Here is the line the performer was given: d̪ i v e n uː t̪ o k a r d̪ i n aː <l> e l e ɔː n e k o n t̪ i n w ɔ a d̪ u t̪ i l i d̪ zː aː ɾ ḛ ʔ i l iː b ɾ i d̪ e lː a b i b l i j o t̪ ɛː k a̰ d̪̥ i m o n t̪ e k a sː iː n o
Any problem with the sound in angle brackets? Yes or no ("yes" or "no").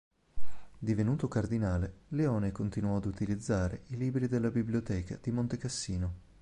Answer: no